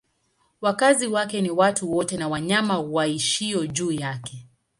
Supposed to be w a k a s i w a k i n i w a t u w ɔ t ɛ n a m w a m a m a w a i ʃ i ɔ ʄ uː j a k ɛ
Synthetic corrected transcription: w a k a z i w a k ɛ n i w a t u w ɔ t ɛ n a w a ɲ a m a w a i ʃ i ɔ ʄ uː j a k ɛ